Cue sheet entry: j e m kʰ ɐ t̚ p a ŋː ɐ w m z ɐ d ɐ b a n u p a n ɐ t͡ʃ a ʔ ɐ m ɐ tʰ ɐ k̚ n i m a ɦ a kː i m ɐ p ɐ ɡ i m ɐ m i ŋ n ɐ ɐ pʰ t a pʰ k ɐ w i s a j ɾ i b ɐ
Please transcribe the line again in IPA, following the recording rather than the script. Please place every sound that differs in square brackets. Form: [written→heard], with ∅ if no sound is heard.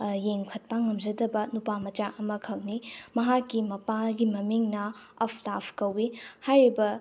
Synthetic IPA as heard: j e [m→ŋ] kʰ ɐ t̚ p a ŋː ɐ [w→∅] m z ɐ d ɐ b [a→ɐ] n u p a [n→m] ɐ t͡ʃ a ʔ ɐ m ɐ [tʰ→kʰ] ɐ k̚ n i m [a→ɐ] ɦ a kː i m ɐ p [ɐ→a] ɡ i m ɐ m i ŋ n ɐ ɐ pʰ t a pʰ k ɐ w i [s→h] a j ɾ i b ɐ